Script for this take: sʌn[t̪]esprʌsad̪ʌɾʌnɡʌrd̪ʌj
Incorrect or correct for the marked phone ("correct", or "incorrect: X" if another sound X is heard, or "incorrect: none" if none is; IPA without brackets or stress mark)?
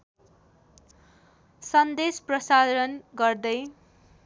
incorrect: d̪